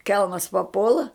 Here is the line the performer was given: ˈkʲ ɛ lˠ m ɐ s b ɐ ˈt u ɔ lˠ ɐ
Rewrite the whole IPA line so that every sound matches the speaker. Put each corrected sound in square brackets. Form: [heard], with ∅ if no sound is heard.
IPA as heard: ˈkʲ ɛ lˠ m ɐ s [p] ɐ [ˈp] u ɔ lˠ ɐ